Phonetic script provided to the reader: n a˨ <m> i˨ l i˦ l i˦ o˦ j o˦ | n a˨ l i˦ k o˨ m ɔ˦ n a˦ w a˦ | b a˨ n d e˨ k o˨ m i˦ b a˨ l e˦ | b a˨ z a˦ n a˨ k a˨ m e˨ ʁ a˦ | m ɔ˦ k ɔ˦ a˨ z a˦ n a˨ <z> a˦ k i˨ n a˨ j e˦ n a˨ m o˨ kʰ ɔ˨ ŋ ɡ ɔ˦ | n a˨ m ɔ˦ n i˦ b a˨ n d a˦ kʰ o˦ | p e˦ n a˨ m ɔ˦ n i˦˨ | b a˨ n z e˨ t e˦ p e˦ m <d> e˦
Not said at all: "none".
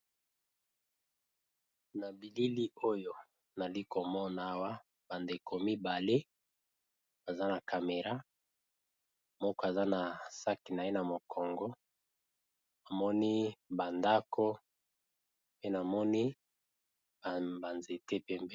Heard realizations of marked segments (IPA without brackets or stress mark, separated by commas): b, s, b